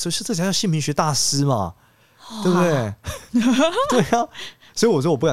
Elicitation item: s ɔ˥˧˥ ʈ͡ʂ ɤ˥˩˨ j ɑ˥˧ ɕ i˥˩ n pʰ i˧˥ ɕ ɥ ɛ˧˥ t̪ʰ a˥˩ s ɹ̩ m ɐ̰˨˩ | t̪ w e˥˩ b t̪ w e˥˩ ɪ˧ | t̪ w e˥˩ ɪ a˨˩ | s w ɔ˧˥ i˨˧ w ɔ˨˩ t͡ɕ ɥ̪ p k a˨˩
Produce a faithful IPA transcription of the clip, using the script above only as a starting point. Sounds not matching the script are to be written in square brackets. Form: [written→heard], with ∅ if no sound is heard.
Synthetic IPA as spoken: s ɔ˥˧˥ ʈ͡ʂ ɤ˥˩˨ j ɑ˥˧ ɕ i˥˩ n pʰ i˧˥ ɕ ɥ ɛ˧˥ [t̪ʰ→t̪] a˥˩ s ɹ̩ m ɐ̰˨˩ | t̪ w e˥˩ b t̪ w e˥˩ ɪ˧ | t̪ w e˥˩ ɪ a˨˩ | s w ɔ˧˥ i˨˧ w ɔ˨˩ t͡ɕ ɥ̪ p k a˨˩